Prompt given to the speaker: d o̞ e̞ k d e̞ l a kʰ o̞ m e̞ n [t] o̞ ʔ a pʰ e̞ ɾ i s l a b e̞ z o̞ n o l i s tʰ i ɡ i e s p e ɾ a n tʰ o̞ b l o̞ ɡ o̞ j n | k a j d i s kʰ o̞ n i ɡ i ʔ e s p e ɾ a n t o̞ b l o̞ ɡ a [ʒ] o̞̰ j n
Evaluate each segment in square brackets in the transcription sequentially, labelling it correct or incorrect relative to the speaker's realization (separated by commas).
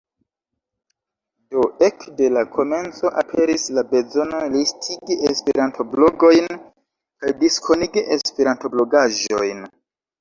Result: incorrect, correct